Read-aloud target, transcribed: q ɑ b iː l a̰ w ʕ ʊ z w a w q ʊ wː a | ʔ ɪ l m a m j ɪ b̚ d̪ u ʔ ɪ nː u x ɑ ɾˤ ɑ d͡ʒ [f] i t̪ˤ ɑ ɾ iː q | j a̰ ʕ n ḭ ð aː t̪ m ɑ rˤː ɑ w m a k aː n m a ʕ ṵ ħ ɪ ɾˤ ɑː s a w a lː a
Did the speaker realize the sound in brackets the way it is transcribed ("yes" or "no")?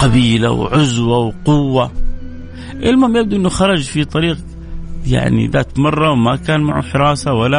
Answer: yes